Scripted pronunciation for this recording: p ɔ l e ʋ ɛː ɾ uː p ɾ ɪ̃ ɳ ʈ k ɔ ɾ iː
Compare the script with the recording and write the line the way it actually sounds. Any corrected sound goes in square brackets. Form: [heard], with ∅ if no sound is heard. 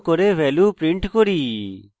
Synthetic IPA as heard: [k] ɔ [ɾ] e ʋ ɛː [l] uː p ɾ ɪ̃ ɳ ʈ k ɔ ɾ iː